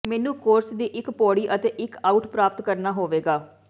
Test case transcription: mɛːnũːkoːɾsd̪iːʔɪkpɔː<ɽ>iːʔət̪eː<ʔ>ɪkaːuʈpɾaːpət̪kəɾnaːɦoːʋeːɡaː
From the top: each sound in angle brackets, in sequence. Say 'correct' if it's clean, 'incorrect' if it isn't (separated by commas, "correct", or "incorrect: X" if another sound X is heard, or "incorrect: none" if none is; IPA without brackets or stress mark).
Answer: correct, correct